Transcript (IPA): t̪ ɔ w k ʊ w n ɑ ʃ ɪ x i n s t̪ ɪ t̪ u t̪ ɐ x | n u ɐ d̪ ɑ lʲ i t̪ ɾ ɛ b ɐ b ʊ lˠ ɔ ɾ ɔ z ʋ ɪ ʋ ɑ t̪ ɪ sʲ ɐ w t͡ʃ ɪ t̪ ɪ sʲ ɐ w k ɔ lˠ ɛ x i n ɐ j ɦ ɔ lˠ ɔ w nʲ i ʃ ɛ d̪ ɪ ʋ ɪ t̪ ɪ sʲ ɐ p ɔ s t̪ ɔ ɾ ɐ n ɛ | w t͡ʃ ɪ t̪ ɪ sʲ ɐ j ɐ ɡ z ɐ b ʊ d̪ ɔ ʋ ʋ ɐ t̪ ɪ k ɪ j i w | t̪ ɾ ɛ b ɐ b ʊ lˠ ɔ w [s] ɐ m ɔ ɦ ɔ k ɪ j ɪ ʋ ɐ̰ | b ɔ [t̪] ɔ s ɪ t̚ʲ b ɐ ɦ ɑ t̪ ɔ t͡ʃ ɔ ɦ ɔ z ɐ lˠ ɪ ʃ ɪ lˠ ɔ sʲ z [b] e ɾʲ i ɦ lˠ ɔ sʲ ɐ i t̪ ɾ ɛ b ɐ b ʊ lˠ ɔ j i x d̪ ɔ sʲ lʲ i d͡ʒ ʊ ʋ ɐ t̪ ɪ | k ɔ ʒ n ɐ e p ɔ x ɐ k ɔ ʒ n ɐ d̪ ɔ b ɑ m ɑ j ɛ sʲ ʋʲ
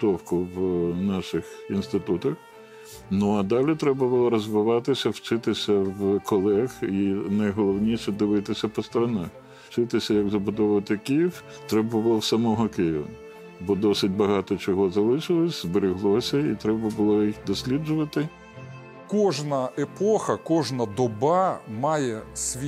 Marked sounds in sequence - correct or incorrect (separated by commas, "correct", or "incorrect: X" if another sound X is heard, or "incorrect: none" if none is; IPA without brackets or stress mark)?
correct, incorrect: d̪, correct